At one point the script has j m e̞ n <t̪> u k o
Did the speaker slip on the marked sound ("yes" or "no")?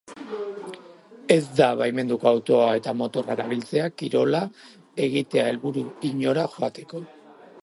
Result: yes